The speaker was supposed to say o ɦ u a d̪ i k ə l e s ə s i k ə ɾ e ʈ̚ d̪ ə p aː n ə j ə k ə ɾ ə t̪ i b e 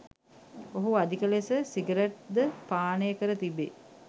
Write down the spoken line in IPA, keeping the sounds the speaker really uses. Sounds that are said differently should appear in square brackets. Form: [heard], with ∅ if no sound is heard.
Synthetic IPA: o ɦ u a d̪ i k ə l e s ə s i [ɡ] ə ɾ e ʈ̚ d̪ ə p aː n ə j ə k ə ɾ ə t̪ i b e